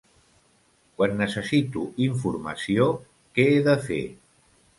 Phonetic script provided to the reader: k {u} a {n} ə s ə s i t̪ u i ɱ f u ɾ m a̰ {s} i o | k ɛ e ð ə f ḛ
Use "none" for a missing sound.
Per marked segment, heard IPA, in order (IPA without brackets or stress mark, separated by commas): w, nː, s